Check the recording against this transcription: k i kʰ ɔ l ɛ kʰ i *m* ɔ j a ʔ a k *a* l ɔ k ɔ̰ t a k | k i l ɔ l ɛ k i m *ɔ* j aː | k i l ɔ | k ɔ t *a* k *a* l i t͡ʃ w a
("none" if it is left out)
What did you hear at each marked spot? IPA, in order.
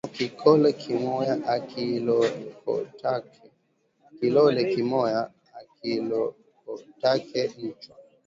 m, i, ɔ, a, ɛ

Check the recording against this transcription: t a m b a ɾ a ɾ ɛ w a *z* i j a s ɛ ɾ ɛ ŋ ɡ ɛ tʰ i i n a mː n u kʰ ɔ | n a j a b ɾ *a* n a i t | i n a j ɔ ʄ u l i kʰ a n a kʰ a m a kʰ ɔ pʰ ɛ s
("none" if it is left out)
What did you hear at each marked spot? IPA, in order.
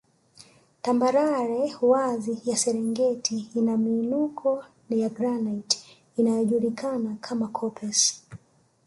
z, a

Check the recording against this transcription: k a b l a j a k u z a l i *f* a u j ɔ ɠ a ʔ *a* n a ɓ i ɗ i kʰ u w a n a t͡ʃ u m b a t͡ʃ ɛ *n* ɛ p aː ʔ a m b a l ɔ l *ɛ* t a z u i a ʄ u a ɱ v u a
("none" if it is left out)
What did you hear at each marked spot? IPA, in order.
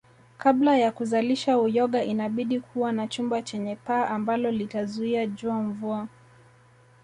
ʃ, i, ɲ, i

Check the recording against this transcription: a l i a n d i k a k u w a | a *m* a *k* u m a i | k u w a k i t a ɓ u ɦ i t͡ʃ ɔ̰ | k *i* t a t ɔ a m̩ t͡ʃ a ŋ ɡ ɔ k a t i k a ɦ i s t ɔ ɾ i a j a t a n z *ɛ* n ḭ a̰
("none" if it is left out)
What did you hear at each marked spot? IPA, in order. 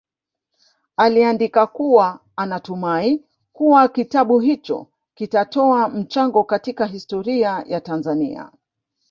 n, t, i, a

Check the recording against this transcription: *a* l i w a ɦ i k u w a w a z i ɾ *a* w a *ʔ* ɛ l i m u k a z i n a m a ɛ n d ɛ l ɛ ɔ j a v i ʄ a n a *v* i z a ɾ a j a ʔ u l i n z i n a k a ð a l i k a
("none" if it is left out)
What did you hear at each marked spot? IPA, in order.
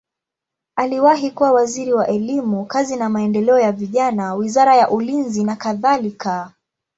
a, i, ʔ, w

